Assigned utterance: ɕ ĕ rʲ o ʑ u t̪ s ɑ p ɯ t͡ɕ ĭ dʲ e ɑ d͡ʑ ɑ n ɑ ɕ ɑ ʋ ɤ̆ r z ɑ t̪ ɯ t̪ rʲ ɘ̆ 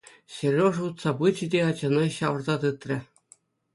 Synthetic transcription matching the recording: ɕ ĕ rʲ o ʐ u t̪ s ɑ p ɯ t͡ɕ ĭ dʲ e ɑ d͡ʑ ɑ n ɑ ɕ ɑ ʋ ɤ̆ r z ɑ t̪ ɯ t̪ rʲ ɘ̆